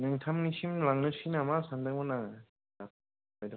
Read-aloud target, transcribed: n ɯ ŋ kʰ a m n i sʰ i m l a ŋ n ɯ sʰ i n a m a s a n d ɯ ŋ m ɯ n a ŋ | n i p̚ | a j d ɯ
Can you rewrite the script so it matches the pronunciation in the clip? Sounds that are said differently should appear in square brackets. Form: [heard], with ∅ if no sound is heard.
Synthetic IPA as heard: n ɯ ŋ [tʰ] a m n i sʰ i m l a ŋ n ɯ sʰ i n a m a s a n d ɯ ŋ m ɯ n a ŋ | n [a] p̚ | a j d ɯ